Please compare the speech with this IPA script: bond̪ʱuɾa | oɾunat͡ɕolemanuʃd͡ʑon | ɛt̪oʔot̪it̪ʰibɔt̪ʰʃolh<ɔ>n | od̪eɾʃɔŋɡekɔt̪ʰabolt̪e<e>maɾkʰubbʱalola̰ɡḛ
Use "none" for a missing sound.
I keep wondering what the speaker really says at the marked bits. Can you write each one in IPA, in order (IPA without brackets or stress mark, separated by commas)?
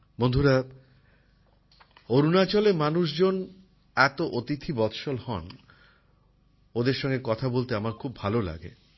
ɔ, a